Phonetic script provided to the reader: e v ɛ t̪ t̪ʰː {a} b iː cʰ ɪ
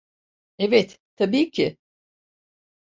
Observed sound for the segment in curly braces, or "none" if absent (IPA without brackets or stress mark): a